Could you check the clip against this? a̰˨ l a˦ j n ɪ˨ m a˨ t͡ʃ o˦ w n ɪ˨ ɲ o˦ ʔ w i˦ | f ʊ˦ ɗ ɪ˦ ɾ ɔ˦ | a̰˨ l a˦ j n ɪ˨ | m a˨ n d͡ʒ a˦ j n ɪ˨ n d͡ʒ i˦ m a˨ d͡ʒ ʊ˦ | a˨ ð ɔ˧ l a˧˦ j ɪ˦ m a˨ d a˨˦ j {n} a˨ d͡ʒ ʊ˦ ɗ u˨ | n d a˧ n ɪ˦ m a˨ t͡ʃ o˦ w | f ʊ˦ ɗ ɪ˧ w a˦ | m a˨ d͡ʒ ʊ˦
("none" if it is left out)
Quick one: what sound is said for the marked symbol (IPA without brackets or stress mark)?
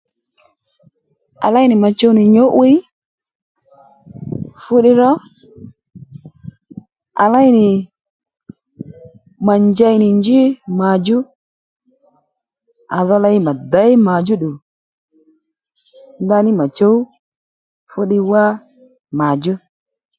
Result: m